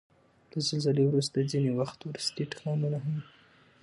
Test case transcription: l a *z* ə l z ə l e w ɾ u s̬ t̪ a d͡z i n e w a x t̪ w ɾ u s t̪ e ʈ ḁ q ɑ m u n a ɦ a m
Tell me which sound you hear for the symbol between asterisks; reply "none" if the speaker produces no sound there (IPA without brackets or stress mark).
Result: z